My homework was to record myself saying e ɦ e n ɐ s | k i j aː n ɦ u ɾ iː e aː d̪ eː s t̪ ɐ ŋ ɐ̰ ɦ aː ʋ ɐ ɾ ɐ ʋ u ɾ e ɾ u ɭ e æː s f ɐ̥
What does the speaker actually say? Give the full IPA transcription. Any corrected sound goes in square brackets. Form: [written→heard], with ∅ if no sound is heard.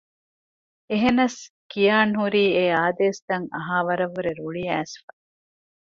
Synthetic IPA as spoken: e ɦ e n ɐ s | k i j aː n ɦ u ɾ iː e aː d̪ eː s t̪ ɐ ŋ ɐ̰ ɦ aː ʋ ɐ ɾ ɐ ʋ u ɾ e ɾ u ɭ [e→i] æː s f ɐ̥